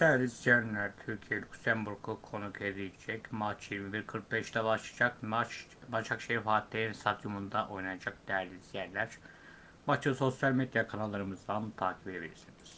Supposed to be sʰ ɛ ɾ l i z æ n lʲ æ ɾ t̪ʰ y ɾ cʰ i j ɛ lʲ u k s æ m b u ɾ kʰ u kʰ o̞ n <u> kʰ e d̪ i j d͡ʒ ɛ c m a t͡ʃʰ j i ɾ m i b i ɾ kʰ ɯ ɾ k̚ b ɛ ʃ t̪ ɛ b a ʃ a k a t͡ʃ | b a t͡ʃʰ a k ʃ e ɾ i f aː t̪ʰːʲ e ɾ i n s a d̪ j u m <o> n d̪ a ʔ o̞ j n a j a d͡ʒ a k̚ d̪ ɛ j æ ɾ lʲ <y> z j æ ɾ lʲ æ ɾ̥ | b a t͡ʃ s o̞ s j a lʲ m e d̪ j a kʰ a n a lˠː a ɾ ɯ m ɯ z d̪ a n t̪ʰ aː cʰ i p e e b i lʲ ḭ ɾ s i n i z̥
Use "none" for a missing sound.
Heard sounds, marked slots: u, u, i

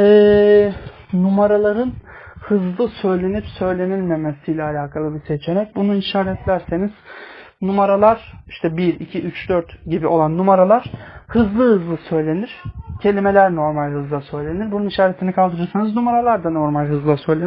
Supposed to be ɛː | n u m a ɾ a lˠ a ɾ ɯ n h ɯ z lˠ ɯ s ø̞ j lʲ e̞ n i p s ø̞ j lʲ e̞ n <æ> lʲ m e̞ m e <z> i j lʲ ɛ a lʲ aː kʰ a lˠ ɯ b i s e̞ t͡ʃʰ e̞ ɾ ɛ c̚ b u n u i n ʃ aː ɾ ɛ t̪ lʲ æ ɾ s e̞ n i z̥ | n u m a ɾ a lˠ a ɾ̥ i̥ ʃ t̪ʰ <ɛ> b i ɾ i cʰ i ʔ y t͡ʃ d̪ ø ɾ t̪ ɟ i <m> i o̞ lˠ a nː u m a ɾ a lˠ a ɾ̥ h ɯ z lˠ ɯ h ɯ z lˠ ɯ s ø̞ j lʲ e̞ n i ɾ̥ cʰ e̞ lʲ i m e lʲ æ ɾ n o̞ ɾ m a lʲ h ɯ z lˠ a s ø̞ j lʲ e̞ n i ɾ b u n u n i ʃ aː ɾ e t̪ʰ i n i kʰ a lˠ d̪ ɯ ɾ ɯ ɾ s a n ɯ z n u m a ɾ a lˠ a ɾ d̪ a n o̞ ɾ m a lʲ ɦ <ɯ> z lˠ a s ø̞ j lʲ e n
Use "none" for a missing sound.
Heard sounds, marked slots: i, s, ɛ, b, ɯ

